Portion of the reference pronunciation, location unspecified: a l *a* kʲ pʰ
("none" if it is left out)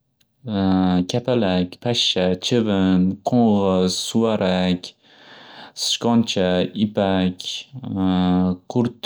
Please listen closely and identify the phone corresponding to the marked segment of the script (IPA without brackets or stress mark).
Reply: a